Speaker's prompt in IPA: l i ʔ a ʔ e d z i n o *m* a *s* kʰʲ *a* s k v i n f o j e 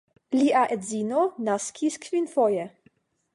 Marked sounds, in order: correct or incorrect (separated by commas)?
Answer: incorrect, correct, incorrect